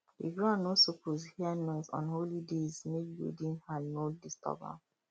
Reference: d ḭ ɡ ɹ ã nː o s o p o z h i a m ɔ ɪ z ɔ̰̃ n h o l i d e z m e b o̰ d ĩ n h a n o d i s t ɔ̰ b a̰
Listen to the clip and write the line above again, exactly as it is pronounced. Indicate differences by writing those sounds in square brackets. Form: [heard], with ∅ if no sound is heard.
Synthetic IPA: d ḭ ɡ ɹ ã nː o s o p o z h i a [n] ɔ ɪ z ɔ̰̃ n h o l i d e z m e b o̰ d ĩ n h a n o d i s t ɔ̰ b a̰